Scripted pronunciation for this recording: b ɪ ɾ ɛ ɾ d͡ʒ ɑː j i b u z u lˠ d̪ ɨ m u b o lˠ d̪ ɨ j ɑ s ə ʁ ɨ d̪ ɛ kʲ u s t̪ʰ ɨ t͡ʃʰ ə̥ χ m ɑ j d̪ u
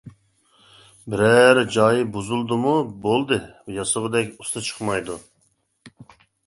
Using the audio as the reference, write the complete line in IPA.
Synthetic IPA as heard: b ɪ ɾ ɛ ɾ d͡ʒ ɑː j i b u z u lˠ d̪ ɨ m u b o lˠ d̪ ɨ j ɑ s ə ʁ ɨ d̪ ɛ kʲ u s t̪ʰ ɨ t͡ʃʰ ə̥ χ m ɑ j d̪ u